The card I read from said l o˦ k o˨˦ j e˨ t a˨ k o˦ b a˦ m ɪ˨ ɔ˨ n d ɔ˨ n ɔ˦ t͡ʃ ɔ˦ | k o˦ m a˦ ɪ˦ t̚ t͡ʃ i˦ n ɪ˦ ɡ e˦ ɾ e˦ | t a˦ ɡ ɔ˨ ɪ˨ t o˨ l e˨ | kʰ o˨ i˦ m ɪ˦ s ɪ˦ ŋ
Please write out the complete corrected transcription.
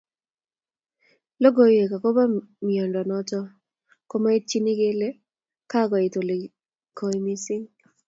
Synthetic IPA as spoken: l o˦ ɡ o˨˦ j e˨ k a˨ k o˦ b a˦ m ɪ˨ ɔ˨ n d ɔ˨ n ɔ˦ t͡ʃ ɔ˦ | k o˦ m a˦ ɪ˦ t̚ t͡ʃ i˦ n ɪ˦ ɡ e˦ l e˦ | k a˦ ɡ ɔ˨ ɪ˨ t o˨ l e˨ | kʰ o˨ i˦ m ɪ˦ s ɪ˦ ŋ